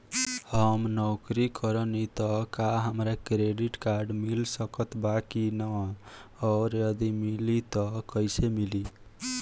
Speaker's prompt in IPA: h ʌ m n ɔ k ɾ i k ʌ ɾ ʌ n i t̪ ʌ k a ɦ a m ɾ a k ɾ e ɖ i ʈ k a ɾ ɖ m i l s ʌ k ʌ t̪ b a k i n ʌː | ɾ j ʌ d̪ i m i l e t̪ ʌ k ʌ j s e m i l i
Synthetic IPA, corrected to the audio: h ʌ m n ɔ k ɾ i k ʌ ɾ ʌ n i t̪ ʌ k a ɦ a m ɾ a k ɾ e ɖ i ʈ k a ɾ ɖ m i l s ʌ k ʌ t̪ b a k i n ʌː | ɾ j ʌ d̪ i m i l i t̪ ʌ k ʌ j s e m i l i

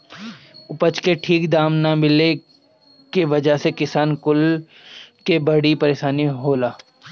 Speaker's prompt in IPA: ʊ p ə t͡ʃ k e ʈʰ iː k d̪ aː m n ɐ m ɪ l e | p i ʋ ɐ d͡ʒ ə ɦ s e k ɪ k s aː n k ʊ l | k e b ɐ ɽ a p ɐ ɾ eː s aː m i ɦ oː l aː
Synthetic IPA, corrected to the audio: ʊ p ə t͡ʃ k e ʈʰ iː k d̪ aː m n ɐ m ɪ l e | k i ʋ ɐ d͡ʒ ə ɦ s e k ɪ s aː n k ʊ l | k e b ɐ ɽ i p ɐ ɾ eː ʃ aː n i ɦ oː l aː

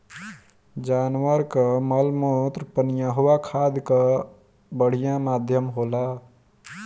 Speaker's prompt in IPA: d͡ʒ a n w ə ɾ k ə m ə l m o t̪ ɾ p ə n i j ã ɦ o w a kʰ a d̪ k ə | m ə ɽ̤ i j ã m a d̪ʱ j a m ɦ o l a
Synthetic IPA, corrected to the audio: d͡ʒ a n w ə ɾ k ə m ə l m o t̪ ɾ p ə n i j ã ɦ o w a kʰ a d̪ k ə | b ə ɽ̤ i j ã m a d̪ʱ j ə m ɦ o l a

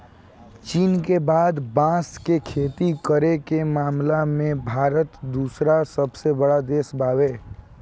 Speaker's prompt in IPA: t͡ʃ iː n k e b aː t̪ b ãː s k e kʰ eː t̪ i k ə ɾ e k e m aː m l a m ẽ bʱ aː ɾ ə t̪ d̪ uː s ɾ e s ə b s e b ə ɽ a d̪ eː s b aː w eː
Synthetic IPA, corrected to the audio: t͡ʃ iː n k e b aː d̪ b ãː s k e kʰ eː t̪ i k ə ɾ e k e m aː m l a m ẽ bʱ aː ɾ ə t̪ d̪ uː s ɾ a s ə b s e b ə ɽ a d̪ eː s b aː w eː

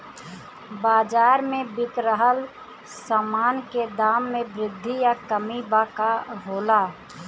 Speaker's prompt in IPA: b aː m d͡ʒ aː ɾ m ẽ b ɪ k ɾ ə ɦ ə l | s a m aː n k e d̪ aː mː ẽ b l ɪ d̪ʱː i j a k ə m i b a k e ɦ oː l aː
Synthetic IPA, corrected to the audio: b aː d͡ʒ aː ɾ m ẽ b ɪ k ɾ ə ɦ ə l | s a m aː n k e d̪ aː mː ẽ b ɾ ɪ d̪ʱː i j a k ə m i b a k a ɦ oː l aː

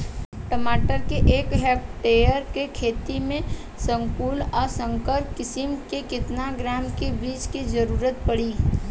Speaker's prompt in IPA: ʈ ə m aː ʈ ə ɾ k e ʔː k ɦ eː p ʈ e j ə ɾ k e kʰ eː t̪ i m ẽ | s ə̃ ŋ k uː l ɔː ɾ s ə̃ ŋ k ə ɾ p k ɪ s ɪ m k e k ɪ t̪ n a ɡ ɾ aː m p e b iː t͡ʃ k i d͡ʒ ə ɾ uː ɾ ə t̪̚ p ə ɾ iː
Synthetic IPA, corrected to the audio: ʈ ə m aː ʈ ə ɾ k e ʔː k ɦ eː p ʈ e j ə ɾ k e kʰ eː t̪ i m ẽ | s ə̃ ŋ k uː l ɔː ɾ s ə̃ ŋ k ə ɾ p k ɪ s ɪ m k e k ɪ t̪ n a ɡ ɾ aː m k e b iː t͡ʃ k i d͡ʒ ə ɾ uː ɾ ə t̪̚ p ə ɽ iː

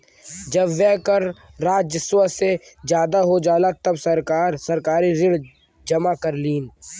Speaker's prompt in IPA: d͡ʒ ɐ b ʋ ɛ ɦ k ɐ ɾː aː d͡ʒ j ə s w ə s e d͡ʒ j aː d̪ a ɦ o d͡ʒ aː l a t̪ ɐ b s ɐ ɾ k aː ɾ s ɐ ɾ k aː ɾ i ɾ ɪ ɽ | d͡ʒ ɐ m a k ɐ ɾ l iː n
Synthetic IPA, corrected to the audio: d͡ʒ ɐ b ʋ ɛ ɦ k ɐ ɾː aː d͡ʒ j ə s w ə s e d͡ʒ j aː d̪ a ɦ o d͡ʒ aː l a t̪ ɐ b s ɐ ɾ k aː ɾ s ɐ ɾ k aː ɾ i ɾ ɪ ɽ | d͡ʒ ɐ m a k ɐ ɾ l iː n

